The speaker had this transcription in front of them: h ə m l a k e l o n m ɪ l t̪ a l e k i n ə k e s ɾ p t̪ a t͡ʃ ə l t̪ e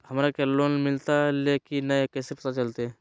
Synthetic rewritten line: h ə m ɾ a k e l o n m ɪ l t̪ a l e k i n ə k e s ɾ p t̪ a t͡ʃ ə l t̪ e